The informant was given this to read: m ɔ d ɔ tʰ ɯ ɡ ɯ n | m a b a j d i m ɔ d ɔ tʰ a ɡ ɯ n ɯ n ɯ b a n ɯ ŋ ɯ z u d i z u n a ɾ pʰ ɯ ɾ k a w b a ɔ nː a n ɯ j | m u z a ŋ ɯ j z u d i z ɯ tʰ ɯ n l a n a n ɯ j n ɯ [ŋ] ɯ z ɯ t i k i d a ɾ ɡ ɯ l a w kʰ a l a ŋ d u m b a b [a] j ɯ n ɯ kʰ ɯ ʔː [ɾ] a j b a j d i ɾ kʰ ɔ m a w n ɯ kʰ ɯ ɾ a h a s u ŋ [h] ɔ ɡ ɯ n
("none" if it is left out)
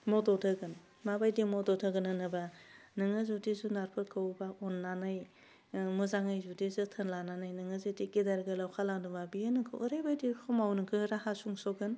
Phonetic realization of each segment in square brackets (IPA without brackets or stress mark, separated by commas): ŋ, i, ɾ, s